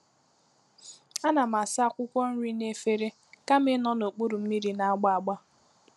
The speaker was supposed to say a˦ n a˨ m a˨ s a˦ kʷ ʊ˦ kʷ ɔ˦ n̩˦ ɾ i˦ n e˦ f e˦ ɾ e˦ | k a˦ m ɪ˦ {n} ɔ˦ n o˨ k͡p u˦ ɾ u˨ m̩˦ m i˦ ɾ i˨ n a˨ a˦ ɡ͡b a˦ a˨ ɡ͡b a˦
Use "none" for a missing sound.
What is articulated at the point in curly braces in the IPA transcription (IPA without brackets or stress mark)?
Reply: n